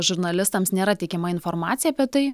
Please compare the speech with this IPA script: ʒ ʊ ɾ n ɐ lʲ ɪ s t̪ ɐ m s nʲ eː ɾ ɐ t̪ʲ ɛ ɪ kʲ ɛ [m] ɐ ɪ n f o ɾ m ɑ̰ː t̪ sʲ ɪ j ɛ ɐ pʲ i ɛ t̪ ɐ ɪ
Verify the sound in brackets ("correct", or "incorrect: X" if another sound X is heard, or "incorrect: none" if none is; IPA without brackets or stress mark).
correct